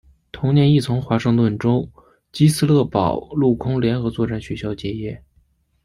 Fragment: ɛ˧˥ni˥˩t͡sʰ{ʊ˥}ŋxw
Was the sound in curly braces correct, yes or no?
no